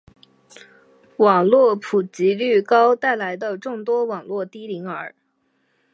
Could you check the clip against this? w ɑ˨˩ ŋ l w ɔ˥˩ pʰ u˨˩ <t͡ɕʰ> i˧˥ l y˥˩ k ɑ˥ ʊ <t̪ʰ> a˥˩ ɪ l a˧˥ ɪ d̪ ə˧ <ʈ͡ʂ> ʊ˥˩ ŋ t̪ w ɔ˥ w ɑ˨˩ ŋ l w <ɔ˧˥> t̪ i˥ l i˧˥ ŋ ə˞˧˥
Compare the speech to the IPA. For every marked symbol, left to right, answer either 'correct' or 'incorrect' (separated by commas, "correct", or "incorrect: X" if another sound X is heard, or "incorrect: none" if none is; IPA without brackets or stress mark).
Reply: incorrect: t͡ɕ, incorrect: t̪, correct, incorrect: ɔ˥˩